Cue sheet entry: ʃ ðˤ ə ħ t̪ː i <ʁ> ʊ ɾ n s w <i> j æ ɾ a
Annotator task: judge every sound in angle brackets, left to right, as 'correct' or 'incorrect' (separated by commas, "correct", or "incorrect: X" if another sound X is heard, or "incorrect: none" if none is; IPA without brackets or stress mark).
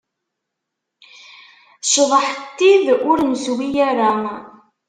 incorrect: ð, correct